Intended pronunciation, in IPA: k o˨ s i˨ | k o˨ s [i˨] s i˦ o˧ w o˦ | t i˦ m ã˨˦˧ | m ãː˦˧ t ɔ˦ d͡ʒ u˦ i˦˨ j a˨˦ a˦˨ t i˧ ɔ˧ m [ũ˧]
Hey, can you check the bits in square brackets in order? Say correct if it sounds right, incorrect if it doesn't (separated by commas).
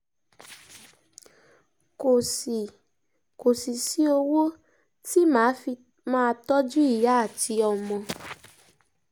correct, incorrect